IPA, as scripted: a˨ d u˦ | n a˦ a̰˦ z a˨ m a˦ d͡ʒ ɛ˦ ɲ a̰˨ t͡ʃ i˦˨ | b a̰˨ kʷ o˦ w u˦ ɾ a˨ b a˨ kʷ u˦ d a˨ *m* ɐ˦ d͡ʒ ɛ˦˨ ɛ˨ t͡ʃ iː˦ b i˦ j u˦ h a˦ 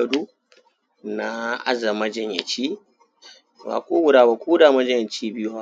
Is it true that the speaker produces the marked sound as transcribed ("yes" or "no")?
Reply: yes